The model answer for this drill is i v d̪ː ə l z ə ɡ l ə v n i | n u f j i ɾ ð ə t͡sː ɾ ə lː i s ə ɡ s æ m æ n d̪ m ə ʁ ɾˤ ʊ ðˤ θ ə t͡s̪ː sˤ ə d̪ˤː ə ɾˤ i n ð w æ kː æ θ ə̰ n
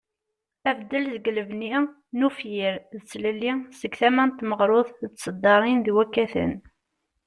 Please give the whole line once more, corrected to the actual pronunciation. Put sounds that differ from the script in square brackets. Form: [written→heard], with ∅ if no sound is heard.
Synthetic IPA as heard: [i→æ] v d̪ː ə l z ə ɡ l ə v n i | n u f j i ɾ ð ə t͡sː [ɾ→l] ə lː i s ə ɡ [s→θ] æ m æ n [d̪→t̪] m ə ʁ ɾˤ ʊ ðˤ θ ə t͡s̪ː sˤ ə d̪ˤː [ə→ɑ] ɾˤ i n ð w æ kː æ θ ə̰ n